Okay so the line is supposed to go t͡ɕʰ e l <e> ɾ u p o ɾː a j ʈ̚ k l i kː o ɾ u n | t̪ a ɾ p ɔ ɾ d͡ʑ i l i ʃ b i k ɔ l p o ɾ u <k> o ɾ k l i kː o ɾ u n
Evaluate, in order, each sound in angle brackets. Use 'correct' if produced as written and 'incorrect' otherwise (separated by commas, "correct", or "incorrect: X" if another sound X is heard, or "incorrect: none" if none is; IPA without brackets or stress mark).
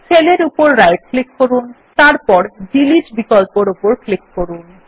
correct, incorrect: p